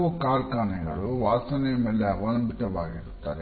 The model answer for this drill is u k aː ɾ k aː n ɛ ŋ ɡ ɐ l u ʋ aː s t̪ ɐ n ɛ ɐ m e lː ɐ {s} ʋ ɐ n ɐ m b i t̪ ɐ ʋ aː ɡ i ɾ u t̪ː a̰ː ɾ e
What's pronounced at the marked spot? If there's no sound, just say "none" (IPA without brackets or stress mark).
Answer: none